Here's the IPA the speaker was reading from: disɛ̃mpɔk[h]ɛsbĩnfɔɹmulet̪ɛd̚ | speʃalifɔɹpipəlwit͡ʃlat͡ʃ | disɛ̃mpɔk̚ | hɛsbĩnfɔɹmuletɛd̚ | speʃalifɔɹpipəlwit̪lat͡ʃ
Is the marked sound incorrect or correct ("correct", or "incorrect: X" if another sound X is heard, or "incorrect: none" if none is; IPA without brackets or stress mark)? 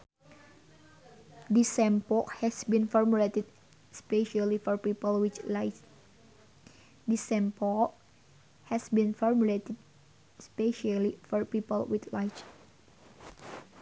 correct